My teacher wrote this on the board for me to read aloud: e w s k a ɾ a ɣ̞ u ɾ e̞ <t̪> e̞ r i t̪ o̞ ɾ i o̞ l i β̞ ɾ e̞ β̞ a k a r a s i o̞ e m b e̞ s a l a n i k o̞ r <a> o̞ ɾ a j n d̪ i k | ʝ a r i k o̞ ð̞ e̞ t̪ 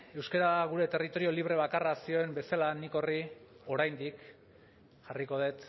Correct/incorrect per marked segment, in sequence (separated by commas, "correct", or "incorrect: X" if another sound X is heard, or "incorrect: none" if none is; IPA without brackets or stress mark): correct, incorrect: i